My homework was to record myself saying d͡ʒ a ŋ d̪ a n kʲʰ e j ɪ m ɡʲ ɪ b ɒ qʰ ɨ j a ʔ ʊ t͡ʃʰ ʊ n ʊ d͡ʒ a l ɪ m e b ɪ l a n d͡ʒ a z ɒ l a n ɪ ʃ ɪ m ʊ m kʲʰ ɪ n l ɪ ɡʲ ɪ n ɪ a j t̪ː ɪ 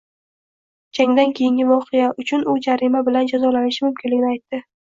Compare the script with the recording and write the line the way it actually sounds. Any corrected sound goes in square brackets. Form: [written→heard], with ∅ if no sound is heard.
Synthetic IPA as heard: d͡ʒ a ŋ d̪ a n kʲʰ e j ɪ [m→ŋ] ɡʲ ɪ [b→v] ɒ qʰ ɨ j a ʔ ʊ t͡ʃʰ ʊ n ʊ d͡ʒ a [l→ɾ] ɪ m [e→a] b ɪ l a n d͡ʒ a z ɒ l a n ɪ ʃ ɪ m ʊ m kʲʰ ɪ n l ɪ ɡʲ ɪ n ɪ a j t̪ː ɪ